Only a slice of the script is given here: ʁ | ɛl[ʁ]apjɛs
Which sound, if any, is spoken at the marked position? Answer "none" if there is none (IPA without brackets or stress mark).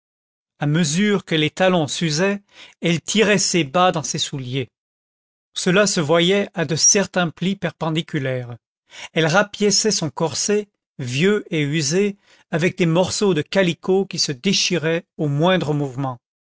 ʁ